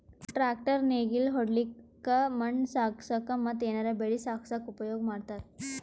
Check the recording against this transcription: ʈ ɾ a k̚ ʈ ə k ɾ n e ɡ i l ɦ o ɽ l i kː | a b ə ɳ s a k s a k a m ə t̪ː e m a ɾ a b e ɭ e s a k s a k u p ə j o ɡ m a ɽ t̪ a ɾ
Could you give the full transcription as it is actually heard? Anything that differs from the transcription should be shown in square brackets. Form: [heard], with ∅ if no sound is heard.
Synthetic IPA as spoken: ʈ ɾ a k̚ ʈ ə [∅] ɾ n e ɡ i l ɦ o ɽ l i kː | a [m] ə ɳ s a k s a k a m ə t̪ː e [n] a ɾ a b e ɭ [i] s a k s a k u p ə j o ɡ m a ɽ t̪ a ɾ